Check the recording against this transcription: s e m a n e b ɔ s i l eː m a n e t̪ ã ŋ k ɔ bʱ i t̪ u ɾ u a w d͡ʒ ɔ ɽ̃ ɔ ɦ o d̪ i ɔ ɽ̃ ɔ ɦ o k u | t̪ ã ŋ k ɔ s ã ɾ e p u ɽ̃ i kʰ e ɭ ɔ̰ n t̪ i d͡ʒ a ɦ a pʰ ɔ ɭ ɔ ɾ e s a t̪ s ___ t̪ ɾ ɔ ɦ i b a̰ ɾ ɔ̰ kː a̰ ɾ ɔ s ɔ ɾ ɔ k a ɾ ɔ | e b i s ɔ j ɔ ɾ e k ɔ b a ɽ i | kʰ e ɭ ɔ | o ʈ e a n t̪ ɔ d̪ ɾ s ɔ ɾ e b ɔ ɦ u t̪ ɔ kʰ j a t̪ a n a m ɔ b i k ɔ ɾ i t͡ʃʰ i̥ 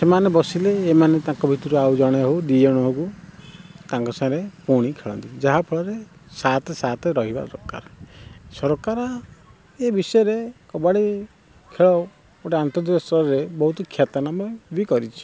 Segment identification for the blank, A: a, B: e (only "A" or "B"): A